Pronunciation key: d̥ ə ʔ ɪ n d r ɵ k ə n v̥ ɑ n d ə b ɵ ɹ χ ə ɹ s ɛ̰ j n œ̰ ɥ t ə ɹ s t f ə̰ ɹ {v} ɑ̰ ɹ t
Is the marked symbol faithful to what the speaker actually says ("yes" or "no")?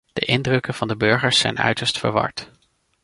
no